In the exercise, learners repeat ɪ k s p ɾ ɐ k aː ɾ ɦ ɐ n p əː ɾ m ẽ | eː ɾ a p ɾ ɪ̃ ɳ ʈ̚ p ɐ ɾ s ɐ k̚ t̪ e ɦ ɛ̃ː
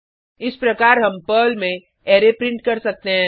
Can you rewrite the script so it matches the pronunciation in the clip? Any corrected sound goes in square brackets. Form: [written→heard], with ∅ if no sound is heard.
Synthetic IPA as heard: ɪ [k→∅] s p ɾ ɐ k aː ɾ ɦ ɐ [n→m] p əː [ɾ→l] m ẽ | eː ɾ [a→e] p ɾ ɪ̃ ɳ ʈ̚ [p→k] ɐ ɾ s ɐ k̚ t̪ e ɦ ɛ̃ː

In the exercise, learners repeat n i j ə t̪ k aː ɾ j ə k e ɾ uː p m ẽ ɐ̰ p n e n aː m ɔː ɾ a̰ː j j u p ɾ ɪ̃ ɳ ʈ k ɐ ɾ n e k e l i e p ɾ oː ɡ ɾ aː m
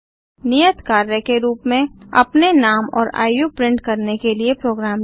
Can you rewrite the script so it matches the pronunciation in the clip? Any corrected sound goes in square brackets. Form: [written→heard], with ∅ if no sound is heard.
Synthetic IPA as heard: n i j ə t̪ k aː ɾ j ə k e ɾ uː p m ẽ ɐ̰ p n e n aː m ɔː ɾ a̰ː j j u p ɾ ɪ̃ ɳ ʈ k ɐ ɾ n e k e l i e p ɾ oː ɡ ɾ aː m

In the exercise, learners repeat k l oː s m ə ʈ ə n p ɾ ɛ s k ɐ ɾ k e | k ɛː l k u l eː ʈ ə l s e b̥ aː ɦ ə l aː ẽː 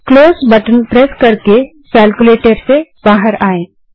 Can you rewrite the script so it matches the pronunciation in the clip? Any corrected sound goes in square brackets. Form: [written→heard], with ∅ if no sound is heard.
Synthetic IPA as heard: k l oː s [m→b] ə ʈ ə n p ɾ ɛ s k ɐ ɾ k e | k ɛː l k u l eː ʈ ə [l→ɾ] s e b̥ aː ɦ ə [l→ɾ] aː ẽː

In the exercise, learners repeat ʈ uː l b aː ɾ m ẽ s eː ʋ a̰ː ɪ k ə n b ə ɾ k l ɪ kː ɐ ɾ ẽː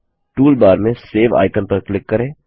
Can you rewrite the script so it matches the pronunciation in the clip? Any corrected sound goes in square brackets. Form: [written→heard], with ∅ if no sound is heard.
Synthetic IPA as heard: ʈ uː l b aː ɾ m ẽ s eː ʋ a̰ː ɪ k ə n [b→p] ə ɾ k l ɪ kː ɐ ɾ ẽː

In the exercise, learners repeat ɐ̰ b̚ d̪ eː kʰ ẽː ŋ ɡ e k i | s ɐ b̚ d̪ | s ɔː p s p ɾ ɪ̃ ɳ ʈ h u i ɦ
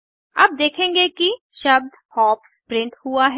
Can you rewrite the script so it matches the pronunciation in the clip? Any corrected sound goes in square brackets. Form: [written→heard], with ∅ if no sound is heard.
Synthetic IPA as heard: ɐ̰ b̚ d̪ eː kʰ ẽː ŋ ɡ e k i | [s→ʃ] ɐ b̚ d̪ | [s→h] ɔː p s p ɾ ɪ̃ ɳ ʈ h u [i→a] ɦ

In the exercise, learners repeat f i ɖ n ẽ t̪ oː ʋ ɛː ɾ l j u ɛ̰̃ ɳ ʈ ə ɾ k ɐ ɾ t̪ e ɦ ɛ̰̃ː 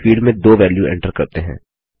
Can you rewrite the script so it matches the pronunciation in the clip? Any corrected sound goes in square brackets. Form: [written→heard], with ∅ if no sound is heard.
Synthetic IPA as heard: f [i→iː] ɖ [n→m] ẽ [t̪→d̪] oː ʋ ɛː [ɾ→∅] l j u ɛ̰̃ ɳ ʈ ə ɾ k ɐ ɾ t̪ e ɦ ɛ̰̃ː

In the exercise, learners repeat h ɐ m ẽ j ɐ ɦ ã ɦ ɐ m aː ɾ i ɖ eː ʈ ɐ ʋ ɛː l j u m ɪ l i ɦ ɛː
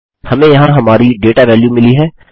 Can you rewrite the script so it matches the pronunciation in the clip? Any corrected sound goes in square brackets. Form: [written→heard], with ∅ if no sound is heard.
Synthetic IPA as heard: h ɐ m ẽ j ɐ ɦ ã ɦ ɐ m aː ɾ i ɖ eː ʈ [ɐ→a] ʋ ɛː l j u m ɪ l i ɦ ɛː

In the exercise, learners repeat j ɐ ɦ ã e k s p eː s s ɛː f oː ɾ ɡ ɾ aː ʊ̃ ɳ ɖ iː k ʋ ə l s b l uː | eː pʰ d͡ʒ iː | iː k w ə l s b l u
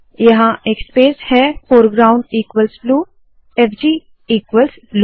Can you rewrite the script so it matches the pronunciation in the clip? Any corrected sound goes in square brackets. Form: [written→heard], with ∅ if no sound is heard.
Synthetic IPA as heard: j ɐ ɦ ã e k s p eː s [s→h] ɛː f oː ɾ ɡ ɾ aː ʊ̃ ɳ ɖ iː k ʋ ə l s b l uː | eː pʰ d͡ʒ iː | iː k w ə l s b l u

